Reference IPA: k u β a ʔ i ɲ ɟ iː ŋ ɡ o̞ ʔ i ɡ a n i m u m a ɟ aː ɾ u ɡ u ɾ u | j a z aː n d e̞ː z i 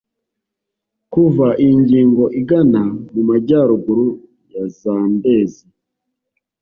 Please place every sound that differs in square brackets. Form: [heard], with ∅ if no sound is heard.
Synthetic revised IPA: k u [v] a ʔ i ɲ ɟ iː ŋ ɡ o̞ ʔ i ɡ a n [a] m u m a ɟ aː ɾ u ɡ u ɾ u | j a z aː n d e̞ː z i